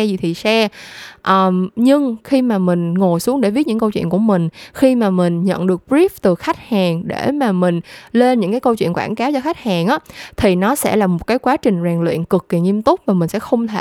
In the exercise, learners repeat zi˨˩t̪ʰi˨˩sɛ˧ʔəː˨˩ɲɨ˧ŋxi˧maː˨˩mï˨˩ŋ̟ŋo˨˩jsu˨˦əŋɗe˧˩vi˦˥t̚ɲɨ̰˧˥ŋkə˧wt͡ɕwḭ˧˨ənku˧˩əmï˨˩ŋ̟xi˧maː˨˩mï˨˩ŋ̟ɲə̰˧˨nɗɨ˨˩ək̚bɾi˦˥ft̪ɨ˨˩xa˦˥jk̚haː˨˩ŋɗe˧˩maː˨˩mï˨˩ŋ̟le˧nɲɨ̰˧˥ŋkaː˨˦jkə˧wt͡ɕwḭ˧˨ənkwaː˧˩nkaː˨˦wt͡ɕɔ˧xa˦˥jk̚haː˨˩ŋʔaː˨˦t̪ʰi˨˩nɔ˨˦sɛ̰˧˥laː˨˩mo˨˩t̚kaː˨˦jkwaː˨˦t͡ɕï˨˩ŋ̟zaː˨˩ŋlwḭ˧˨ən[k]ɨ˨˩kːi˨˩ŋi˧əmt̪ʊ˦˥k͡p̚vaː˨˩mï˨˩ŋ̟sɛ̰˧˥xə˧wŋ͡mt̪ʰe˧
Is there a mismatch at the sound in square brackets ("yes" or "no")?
no